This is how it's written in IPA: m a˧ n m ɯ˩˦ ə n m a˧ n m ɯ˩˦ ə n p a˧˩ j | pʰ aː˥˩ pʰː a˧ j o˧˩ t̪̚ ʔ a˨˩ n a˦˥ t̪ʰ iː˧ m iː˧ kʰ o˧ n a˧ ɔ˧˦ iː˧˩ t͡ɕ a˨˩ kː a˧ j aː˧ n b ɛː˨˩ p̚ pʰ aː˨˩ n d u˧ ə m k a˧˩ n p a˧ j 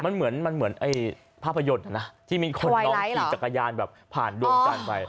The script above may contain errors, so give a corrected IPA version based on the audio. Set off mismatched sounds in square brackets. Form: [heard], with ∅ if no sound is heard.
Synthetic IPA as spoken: m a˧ n m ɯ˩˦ ə n m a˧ n m ɯ˩˦ ə n [ʔ] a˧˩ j | pʰ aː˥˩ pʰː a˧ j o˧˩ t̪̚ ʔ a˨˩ n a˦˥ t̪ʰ [iː˥˩] m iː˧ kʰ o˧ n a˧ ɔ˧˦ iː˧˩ t͡ɕ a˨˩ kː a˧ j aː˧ n b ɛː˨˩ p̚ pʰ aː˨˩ n d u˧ ə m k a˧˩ n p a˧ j